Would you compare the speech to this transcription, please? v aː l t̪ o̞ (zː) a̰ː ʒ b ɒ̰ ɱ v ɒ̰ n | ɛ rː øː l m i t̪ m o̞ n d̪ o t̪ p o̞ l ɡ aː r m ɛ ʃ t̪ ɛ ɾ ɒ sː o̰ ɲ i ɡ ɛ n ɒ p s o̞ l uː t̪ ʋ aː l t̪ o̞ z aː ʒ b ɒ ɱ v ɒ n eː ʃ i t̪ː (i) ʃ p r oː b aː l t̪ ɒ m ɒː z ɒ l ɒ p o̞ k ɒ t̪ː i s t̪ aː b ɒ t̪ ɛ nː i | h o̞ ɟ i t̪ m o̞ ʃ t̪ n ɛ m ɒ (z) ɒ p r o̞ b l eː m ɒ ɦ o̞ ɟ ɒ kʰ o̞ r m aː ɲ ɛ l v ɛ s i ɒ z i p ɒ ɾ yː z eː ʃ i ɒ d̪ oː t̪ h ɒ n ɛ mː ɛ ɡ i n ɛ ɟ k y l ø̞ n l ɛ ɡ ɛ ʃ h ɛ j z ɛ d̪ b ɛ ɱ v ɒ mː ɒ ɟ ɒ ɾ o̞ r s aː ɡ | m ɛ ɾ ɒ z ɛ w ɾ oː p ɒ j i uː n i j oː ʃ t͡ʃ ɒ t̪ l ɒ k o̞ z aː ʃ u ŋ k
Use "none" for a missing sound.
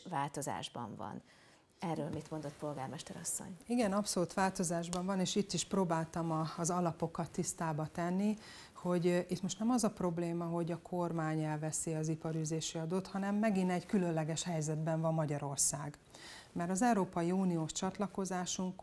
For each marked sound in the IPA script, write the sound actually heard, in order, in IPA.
z, i, z

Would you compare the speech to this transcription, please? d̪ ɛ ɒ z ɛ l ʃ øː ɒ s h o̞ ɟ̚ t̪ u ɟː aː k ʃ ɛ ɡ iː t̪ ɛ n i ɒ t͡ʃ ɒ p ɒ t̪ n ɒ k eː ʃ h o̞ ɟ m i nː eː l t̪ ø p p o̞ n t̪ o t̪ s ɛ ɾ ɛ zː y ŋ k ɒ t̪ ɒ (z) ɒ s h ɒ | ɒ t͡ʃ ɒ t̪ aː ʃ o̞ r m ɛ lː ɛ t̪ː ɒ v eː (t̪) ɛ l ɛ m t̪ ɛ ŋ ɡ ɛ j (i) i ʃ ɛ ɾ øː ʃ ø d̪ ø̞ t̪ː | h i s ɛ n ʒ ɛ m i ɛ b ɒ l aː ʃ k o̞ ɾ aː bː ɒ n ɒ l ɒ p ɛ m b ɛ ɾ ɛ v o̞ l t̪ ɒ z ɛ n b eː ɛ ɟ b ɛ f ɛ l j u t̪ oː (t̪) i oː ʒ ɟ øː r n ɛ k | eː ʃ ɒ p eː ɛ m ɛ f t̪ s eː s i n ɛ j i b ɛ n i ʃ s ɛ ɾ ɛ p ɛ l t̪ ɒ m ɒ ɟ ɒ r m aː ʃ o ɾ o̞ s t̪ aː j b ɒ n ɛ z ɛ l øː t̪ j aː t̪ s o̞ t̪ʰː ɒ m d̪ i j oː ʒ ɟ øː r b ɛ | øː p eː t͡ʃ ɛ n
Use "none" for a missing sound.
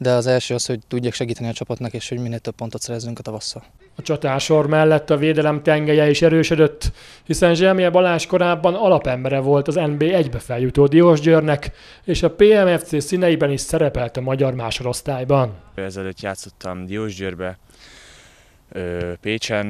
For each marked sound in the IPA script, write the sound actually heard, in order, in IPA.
v, d̪, ɛ, d̪

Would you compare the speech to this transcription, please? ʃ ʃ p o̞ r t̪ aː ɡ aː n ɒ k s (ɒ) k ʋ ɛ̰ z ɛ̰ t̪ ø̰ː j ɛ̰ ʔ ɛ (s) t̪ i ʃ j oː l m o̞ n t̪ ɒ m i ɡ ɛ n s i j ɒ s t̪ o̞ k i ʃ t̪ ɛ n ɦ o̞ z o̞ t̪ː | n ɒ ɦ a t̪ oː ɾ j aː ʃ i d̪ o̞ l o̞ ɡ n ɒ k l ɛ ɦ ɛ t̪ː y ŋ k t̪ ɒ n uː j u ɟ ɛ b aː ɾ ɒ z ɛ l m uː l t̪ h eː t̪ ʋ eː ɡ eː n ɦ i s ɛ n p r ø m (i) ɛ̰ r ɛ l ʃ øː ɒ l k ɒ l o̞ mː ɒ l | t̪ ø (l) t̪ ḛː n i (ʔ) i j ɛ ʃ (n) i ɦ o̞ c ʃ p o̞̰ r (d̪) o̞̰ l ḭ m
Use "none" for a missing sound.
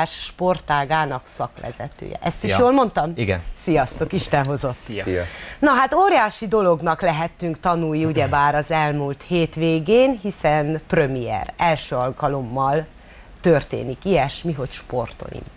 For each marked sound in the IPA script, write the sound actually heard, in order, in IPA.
ɒ, s, i, r, k, m, t̪

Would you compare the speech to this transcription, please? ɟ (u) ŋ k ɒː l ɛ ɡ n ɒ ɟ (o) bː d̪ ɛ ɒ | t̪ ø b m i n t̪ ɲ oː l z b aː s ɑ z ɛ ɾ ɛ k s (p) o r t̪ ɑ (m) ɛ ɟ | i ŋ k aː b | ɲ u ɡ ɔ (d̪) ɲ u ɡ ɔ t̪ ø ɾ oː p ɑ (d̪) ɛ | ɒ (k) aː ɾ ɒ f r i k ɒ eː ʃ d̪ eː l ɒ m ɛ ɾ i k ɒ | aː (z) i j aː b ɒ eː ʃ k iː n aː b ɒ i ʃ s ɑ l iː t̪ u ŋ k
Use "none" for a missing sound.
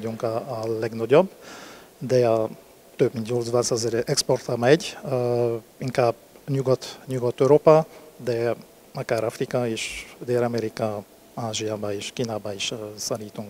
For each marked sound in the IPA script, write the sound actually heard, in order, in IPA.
u, o, p, m, t̪, d̪, k, ʒ

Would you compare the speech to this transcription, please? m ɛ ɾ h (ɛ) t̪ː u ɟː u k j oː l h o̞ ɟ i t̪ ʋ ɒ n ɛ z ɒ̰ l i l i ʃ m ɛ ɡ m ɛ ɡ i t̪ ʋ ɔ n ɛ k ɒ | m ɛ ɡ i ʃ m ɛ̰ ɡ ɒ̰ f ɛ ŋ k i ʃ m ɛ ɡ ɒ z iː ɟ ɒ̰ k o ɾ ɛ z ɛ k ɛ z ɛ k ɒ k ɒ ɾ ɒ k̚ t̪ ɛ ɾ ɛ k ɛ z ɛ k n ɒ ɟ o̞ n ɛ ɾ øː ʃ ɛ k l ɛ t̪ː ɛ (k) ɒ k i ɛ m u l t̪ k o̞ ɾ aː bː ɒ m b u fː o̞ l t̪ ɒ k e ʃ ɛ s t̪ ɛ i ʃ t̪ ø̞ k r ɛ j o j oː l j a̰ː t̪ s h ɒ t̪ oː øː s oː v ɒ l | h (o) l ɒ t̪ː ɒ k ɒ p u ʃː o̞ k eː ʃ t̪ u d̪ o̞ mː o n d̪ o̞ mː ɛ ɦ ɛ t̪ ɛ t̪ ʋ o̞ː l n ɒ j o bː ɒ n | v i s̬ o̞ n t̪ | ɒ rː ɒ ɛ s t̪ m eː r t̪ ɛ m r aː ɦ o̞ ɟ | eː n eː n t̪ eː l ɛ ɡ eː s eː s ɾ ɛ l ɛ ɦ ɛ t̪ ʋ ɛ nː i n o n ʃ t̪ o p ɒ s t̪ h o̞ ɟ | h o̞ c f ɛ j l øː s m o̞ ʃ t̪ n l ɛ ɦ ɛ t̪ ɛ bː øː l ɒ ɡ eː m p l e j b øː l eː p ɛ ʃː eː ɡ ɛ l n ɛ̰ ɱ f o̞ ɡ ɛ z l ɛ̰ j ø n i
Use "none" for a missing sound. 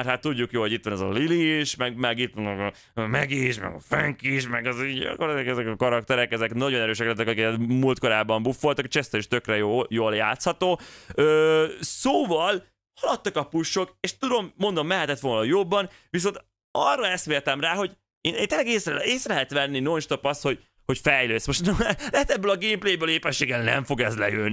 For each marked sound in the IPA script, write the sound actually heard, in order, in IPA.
a, k, ɒ

